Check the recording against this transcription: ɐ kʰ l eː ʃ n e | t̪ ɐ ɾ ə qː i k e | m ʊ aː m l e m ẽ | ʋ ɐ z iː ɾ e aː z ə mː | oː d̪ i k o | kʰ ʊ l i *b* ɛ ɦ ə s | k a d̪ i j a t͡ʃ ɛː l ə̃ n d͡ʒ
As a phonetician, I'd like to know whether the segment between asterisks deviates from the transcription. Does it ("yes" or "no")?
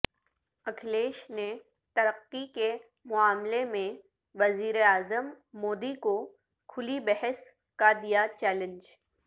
no